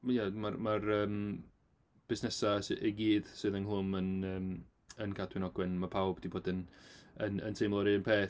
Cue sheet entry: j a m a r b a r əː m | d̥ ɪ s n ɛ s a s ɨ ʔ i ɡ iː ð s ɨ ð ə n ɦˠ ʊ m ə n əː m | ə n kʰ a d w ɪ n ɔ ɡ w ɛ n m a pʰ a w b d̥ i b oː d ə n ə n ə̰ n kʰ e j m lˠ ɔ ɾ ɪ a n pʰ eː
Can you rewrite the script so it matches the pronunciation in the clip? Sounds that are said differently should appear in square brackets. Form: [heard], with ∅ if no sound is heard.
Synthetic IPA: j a m a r [m] a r əː m | [b̥] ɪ s n ɛ s a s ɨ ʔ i ɡ iː ð s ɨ ð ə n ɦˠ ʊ m ə n əː m | ə n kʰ a d w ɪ n ɔ ɡ w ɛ n m a pʰ a w b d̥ i b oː d ə n ə n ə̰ n [tʰ] e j m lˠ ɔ ɾ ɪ [ə] n pʰ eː